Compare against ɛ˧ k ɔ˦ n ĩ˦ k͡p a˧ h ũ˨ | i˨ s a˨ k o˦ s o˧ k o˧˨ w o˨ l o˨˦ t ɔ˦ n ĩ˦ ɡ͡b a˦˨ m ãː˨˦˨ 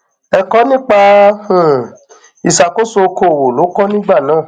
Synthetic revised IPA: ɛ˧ k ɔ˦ n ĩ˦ k͡p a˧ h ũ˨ | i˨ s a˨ k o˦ s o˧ k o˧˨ w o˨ l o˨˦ k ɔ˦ n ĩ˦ ɡ͡b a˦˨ n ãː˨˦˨